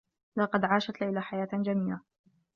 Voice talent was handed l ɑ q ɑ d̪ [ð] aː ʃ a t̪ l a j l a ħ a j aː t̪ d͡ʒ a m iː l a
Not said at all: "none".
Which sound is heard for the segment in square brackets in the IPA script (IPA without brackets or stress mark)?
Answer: ʕ